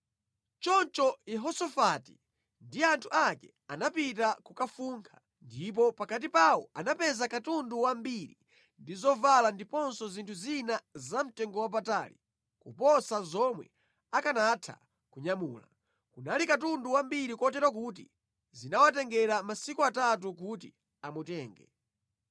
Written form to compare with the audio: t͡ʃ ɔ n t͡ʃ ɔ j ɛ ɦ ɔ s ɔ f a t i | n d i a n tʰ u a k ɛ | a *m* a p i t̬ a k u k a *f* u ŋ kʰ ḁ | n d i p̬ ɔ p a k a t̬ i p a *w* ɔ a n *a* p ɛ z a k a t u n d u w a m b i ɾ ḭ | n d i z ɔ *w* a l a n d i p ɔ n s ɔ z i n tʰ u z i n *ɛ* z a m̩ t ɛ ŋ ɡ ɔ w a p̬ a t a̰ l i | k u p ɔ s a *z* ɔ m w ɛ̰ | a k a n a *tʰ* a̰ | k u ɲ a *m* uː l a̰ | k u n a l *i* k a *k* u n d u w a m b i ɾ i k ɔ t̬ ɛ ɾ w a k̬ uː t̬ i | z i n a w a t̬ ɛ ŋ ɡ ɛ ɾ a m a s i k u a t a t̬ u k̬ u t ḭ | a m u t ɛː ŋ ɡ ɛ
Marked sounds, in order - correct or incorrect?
incorrect: n, correct, correct, correct, incorrect: v, incorrect: a, correct, correct, correct, correct, incorrect: t

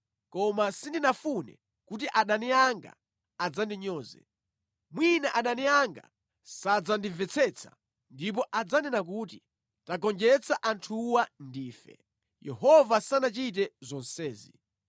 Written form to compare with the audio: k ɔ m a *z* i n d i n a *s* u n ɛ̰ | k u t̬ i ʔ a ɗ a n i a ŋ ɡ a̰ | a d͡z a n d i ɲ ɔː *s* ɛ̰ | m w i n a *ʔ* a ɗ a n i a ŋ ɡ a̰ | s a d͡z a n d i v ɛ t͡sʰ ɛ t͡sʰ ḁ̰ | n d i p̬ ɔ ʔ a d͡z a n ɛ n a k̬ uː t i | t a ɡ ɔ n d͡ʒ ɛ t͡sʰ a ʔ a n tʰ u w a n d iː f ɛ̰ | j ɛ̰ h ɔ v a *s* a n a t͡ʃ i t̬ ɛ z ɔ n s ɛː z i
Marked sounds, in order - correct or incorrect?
incorrect: s, incorrect: f, incorrect: z, correct, correct

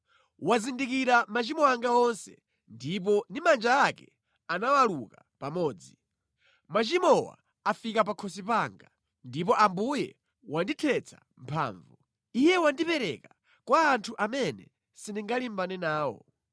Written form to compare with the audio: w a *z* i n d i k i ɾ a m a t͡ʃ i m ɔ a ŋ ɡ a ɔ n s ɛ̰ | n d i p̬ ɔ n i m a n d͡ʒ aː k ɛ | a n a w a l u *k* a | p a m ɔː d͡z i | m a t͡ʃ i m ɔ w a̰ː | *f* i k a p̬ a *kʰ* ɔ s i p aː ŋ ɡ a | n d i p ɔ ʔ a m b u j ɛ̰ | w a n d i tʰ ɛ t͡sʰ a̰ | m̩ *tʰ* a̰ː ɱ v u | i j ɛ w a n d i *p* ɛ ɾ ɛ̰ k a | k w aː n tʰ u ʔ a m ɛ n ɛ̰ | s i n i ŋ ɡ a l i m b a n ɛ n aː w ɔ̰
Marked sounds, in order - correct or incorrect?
correct, correct, correct, correct, incorrect: pʰ, correct

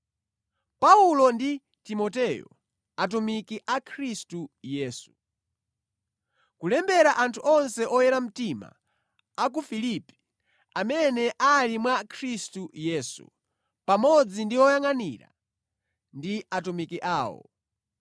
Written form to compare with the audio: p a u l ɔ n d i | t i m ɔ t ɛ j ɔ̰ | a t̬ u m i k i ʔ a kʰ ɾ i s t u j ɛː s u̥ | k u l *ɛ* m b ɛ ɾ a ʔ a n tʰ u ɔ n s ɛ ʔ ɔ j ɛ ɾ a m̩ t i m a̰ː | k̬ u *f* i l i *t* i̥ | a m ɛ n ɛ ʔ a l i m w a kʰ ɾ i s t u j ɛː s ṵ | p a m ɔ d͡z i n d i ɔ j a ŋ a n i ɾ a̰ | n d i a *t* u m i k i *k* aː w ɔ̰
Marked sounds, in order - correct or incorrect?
correct, correct, incorrect: p, correct, incorrect: ʔ

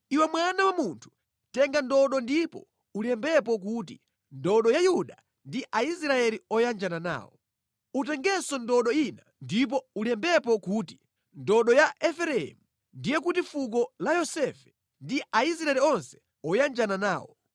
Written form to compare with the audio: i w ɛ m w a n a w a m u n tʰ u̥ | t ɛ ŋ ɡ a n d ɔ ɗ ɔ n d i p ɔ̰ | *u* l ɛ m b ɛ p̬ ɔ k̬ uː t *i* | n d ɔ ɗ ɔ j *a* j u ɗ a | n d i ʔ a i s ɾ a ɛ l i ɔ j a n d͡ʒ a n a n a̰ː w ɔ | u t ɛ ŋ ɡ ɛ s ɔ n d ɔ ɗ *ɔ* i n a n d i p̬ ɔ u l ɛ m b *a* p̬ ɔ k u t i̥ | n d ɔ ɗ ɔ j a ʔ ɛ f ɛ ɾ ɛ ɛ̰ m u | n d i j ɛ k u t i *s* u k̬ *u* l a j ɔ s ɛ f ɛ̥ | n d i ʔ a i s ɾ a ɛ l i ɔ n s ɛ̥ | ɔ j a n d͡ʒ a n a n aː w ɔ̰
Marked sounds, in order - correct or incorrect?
correct, correct, correct, correct, incorrect: ɛ, incorrect: f, incorrect: ɔ

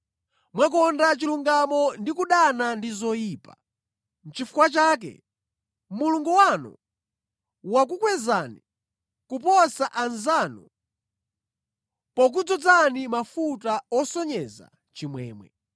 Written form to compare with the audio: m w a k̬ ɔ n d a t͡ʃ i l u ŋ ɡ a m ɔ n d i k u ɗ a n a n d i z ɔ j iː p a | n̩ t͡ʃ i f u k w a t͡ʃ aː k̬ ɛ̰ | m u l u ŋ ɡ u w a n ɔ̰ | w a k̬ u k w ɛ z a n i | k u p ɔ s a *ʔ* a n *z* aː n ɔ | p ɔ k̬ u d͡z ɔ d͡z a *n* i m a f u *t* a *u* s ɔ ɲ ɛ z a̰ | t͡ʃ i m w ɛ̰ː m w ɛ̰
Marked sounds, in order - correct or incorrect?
correct, correct, correct, correct, incorrect: ɔ

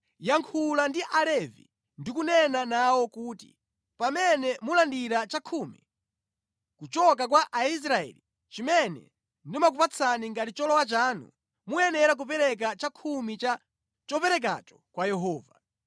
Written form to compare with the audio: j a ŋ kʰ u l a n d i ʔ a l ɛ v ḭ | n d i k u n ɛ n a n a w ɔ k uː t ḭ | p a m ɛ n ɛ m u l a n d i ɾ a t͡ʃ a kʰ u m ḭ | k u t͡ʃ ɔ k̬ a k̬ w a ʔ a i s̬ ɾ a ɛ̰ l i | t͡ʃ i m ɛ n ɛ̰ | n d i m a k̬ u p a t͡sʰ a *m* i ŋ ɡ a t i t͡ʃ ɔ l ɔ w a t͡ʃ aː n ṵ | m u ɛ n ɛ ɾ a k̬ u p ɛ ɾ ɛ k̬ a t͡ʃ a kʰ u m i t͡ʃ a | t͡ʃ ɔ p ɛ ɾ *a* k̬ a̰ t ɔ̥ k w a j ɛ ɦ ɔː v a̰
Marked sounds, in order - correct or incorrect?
incorrect: n, incorrect: ɛ

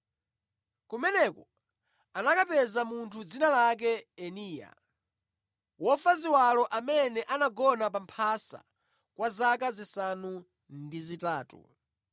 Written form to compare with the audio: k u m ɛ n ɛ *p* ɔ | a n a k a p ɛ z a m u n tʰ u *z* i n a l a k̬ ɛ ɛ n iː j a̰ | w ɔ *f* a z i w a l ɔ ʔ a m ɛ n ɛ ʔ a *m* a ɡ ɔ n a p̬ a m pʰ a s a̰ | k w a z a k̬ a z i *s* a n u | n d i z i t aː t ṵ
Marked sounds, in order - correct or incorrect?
incorrect: k, incorrect: d͡z, correct, incorrect: n, correct

